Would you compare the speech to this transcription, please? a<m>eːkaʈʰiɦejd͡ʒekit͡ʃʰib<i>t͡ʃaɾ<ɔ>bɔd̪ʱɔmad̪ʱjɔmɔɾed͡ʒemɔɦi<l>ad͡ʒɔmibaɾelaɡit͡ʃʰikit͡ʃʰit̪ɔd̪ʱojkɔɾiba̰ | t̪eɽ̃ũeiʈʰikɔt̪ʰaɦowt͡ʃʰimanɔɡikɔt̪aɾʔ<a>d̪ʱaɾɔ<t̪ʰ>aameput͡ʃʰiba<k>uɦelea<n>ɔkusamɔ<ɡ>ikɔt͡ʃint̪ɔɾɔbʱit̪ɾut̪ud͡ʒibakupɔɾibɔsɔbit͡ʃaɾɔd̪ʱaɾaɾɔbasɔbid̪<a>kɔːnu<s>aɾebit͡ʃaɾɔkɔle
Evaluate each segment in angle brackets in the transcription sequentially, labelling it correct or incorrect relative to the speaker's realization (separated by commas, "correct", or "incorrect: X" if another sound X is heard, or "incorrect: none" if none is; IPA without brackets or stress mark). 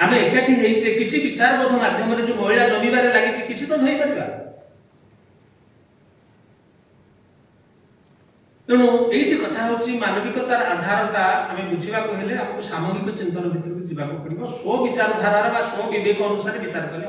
correct, correct, correct, incorrect: ɭ, correct, incorrect: t̪, correct, incorrect: m, correct, incorrect: e, correct